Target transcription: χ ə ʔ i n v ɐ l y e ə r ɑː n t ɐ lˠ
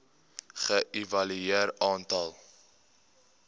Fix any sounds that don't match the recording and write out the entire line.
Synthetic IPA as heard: χ ə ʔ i v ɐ l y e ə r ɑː n t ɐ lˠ